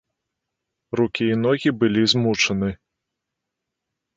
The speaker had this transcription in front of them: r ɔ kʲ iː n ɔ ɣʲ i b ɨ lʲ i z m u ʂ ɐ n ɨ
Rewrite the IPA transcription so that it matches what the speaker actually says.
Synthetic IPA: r u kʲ iː n ɔ ɣʲ i b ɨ lʲ i z m u t͡ʂ ɐ n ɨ